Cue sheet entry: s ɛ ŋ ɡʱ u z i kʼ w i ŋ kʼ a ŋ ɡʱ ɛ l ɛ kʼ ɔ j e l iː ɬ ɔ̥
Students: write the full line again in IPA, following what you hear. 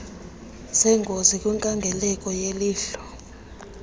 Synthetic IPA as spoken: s ɛ ŋ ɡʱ o z i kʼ w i ŋ kʼ a ŋ ɡʱ ɛ l ɛ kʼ ɔ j e l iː ɬ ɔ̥